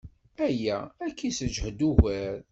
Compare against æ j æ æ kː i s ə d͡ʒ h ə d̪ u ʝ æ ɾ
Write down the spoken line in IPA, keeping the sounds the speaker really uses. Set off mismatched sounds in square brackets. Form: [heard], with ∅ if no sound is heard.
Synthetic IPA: æ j æ æ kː i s ə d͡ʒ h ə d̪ u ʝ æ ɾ